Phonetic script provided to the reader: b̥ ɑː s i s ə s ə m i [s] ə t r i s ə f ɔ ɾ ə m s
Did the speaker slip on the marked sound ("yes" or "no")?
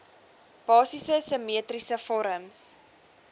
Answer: yes